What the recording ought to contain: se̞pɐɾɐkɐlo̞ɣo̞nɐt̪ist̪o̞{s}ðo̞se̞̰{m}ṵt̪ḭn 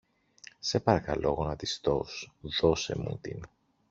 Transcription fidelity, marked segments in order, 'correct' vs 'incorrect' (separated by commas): correct, correct